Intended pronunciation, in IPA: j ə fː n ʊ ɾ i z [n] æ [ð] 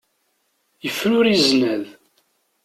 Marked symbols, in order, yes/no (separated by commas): yes, yes